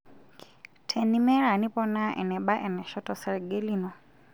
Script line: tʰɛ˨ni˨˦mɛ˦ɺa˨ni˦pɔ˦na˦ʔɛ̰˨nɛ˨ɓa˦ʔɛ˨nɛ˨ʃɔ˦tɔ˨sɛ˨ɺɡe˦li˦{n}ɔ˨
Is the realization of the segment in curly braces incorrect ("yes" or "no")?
no